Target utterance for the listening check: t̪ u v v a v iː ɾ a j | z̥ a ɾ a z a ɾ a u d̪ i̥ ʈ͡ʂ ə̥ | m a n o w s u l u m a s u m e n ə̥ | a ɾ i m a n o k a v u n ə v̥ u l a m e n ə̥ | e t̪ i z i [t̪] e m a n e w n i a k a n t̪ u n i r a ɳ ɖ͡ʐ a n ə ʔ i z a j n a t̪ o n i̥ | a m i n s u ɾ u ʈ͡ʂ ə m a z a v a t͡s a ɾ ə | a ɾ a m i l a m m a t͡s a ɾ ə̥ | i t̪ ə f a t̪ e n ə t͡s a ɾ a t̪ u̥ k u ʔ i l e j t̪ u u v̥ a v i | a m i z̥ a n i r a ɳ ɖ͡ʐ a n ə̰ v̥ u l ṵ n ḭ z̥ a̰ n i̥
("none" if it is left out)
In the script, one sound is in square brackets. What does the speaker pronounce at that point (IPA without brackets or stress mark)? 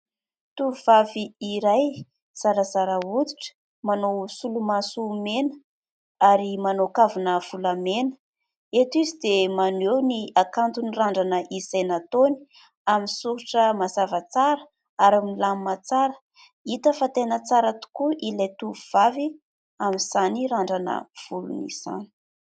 d̪